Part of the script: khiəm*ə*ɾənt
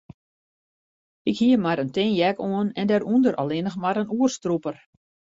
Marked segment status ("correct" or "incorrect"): incorrect